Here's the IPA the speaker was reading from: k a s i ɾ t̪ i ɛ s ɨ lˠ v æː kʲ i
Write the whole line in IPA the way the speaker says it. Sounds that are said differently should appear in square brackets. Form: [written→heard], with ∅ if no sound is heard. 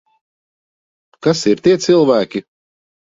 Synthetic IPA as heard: k a s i ɾ t̪ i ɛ s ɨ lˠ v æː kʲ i

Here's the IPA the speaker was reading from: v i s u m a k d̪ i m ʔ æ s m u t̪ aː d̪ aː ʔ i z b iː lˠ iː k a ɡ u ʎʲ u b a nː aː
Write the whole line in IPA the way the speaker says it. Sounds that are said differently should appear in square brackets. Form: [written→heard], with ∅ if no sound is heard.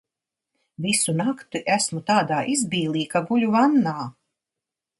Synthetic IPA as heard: v i s u [m→n] a k [d̪→t̪] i [m→∅] ʔ æ s m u t̪ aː d̪ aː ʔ i z b iː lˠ iː k a ɡ u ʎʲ u [b→v] a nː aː

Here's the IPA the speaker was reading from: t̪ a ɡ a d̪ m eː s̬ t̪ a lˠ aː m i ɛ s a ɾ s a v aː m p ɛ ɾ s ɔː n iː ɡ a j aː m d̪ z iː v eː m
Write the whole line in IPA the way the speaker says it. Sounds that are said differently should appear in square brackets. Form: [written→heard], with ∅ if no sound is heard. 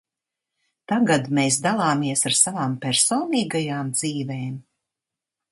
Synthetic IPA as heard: t̪ a ɡ a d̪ m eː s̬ [t̪→d̪] a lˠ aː m i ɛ s a ɾ s a v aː m p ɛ ɾ s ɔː n iː ɡ a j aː m d̪ z iː v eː m

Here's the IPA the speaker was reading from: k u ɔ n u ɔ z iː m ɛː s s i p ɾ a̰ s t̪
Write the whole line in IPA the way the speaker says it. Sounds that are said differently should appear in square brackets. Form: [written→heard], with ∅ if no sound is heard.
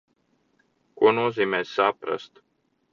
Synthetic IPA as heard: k u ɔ n u ɔ z iː m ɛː s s [i→a] p ɾ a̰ s t̪

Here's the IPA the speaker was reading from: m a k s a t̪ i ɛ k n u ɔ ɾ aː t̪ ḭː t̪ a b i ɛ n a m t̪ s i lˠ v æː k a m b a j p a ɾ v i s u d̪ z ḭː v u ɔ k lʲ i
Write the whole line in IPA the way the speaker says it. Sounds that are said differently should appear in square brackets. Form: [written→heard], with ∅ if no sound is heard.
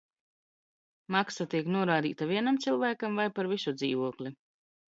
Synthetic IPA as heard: m a k s a t̪ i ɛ k n u ɔ ɾ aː [t̪→d̪] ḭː t̪ a [b→v] i ɛ n a m t̪ s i lˠ v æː k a m [b→v] a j p a ɾ v i s u d̪ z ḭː v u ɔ k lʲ i

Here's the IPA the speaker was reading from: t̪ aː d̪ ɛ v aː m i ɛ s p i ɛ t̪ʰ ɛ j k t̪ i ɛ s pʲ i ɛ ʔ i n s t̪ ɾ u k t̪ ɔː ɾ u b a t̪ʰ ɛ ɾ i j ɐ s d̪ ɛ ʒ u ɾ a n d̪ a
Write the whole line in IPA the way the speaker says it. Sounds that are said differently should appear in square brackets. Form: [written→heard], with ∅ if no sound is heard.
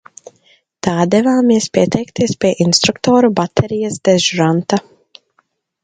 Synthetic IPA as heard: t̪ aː d̪ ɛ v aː m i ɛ s p i ɛ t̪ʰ ɛ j k t̪ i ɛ s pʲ i ɛ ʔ i n s t̪ ɾ u k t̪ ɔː ɾ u b a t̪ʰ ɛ ɾ i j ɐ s d̪ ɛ ʒ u ɾ a n [d̪→t̪] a

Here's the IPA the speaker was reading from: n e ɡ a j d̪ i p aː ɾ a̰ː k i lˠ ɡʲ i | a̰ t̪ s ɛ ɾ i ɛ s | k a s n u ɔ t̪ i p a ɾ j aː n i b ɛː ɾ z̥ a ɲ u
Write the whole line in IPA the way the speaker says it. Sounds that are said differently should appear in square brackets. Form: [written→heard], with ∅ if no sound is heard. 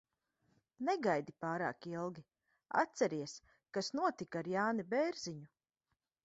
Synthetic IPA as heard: n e ɡ a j d̪ i p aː ɾ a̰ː k i lˠ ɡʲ i | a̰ t̪ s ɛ ɾ i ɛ s | k a s n u ɔ t̪ i [p→k] a ɾ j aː n i b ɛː ɾ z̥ [a→i] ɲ u

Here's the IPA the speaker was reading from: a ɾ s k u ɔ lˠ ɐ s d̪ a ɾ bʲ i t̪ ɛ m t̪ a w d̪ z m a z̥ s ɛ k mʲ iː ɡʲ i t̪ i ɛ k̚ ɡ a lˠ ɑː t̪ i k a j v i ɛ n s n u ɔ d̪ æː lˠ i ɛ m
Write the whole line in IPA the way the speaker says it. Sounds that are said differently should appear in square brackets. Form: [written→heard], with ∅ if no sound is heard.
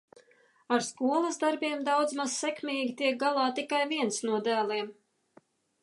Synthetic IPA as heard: a ɾ s k u ɔ lˠ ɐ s d̪ a ɾ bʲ i [t̪→∅] ɛ m [t̪→d̪] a w d̪ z m a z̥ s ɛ k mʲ iː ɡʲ i t̪ i ɛ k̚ ɡ a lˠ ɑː t̪ i k a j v i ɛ n s n u ɔ d̪ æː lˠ i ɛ m

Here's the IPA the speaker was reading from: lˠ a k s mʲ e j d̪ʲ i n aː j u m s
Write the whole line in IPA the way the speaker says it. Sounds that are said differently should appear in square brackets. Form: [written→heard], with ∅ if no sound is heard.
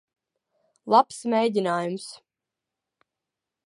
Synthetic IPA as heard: lˠ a [k→p] s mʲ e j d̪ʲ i n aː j u m s

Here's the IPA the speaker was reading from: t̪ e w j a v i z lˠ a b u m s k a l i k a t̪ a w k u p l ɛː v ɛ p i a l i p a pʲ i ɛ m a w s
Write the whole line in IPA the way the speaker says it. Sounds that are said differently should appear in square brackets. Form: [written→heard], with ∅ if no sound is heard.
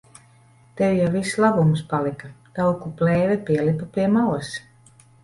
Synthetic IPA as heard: t̪ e w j a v i [z→s] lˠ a b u m s [k→p] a l i k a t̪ a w k u p l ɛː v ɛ p i [a→ɛ] l i p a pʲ i ɛ m a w s

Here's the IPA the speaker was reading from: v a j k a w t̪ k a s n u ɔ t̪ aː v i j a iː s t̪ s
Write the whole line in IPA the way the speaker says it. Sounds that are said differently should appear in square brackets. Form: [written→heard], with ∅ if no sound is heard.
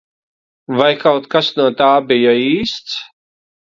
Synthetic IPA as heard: v a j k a w t̪ k a s n u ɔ t̪ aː [v→b] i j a iː s t̪ s

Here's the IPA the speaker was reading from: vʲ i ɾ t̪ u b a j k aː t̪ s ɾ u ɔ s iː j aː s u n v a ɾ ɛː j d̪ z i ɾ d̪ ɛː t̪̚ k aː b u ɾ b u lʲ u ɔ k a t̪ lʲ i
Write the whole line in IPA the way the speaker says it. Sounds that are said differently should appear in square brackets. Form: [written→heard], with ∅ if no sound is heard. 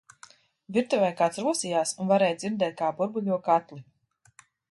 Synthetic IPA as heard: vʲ i ɾ t̪ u [b→v] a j k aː t̪ s ɾ u ɔ s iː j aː s u n v a ɾ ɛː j d̪ z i ɾ d̪ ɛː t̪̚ k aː b u ɾ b u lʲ u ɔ k a t̪ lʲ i

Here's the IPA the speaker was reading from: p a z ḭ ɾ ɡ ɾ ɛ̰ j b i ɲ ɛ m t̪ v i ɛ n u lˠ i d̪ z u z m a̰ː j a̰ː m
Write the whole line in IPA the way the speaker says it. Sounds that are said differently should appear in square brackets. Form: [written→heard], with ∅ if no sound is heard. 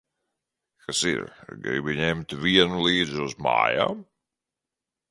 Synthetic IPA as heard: [p→k] a [z→s] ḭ ɾ ɡ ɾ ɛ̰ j b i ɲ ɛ m t̪ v i ɛ n u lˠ [i→iː] d̪ z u z m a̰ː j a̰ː m

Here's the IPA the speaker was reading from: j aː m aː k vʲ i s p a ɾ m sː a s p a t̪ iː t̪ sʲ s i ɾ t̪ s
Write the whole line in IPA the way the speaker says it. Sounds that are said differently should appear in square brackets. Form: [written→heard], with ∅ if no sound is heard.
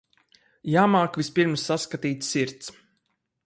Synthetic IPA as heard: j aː m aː k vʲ i s p [a→i] ɾ m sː a s [p→k] a t̪ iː t̪ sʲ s i ɾ t̪ s

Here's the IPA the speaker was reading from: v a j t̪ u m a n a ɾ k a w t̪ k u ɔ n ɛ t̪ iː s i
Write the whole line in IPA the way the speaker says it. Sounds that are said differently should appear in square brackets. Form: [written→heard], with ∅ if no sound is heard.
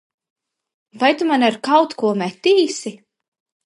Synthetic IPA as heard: v a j t̪ u m a n a ɾ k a w t̪ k u ɔ [n→m] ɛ t̪ iː s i

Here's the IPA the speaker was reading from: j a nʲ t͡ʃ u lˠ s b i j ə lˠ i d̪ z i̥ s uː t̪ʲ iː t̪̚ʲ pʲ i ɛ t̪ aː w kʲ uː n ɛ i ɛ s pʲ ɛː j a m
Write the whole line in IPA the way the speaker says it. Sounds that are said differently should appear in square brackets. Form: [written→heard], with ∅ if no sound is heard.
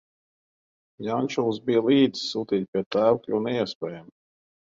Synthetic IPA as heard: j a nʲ t͡ʃ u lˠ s b i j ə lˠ [i→iː] d̪ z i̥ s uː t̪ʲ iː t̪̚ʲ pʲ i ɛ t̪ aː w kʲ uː n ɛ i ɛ s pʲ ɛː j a m

